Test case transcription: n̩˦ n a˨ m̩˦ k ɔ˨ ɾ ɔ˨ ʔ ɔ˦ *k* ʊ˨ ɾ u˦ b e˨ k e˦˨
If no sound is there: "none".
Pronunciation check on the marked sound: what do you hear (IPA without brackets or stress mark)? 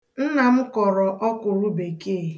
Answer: k